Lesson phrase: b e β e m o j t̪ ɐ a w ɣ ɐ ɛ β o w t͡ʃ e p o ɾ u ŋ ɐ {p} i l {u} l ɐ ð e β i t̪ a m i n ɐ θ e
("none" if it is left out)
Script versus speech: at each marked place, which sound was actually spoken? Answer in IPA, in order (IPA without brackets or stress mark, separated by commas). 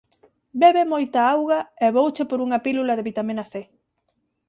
p, u